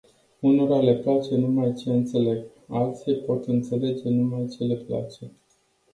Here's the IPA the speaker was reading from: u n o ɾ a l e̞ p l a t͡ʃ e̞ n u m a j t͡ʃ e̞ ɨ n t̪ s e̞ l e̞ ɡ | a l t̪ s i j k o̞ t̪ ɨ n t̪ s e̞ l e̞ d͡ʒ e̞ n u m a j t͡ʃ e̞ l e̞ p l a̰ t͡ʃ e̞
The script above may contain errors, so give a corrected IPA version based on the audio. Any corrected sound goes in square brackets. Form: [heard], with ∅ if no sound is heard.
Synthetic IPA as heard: u n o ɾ a l e̞ p l a t͡ʃ e̞ n u m a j t͡ʃ e̞ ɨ n t̪ s e̞ l e̞ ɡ | a l t̪ s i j [p] o̞ t̪ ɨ n t̪ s e̞ l e̞ d͡ʒ e̞ n u m a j t͡ʃ e̞ l e̞ p l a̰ t͡ʃ e̞